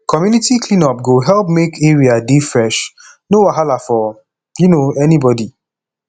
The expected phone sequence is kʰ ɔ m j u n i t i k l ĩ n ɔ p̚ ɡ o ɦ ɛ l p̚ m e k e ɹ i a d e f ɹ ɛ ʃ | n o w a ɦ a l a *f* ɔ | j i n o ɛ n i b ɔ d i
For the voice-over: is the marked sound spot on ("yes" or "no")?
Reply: yes